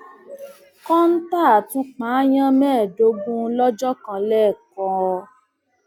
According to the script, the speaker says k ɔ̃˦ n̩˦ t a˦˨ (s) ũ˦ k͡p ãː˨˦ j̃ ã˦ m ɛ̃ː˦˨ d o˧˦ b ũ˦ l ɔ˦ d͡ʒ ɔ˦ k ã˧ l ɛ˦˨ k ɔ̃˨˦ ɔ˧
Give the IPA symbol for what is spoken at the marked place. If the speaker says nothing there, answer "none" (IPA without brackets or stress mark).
t